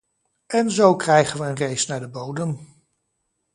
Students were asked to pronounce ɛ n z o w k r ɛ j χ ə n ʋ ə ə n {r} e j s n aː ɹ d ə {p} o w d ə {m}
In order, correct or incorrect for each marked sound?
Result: correct, incorrect: b, correct

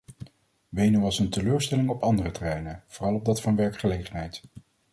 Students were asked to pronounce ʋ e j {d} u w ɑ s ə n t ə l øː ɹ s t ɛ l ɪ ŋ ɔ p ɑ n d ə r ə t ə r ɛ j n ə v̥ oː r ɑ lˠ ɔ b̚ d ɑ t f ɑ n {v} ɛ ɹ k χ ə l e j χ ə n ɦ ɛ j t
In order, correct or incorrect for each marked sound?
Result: incorrect: n, incorrect: ʋ

